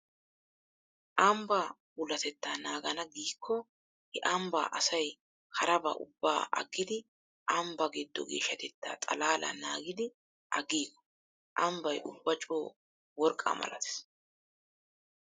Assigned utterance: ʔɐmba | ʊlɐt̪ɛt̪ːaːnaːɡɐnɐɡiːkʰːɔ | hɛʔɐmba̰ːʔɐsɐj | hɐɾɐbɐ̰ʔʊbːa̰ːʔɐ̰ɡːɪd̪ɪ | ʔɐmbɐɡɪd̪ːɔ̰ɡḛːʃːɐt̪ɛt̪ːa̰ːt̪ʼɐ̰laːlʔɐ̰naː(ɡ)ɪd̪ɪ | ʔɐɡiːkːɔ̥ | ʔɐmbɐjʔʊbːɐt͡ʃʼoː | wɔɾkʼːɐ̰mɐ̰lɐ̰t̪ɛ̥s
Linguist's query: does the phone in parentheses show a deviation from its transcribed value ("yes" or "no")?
no